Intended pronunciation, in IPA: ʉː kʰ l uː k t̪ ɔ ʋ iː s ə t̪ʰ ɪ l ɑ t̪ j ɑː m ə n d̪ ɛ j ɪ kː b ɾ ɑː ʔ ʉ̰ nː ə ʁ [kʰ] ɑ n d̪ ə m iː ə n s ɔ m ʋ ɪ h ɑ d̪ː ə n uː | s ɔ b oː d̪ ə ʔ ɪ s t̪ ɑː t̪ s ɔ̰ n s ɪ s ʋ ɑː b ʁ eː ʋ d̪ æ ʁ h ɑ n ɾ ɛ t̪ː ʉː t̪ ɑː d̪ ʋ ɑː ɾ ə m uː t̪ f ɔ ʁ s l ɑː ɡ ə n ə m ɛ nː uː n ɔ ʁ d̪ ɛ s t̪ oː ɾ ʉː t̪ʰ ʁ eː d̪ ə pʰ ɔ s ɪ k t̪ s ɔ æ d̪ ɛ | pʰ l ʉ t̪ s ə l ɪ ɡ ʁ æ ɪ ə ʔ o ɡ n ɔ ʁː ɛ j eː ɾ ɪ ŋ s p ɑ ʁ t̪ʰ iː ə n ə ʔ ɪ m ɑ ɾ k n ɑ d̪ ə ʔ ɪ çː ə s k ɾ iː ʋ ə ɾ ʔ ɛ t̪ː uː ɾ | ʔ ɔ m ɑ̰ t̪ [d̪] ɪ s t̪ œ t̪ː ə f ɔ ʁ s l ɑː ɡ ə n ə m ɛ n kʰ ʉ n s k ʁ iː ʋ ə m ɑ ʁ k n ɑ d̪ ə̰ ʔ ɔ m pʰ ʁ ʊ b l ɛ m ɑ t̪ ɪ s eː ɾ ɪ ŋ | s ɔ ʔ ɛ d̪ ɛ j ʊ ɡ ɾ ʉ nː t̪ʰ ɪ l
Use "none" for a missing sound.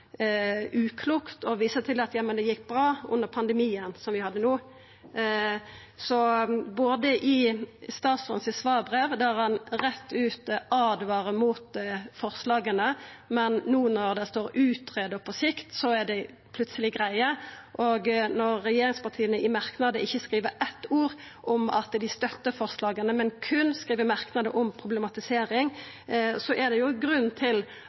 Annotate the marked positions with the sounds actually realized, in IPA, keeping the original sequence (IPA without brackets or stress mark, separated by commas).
pʰ, d̪